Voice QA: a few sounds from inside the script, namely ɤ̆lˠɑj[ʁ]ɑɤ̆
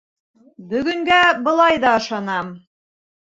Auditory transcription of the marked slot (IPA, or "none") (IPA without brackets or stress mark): ð